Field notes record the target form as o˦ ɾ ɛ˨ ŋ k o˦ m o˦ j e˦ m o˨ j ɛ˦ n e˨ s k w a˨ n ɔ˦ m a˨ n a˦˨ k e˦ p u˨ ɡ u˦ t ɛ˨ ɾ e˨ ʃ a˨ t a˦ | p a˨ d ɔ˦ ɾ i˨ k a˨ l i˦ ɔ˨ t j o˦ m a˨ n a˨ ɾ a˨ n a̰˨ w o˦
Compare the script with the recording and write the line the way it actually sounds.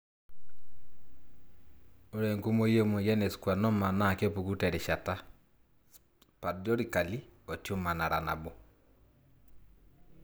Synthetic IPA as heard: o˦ ɾ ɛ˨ ŋ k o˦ m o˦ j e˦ m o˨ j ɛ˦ n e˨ s k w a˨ n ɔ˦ m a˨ n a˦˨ k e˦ p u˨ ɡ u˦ t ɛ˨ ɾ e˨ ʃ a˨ t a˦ | p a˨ d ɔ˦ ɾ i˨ k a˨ l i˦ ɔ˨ t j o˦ m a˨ n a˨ ɾ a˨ n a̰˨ b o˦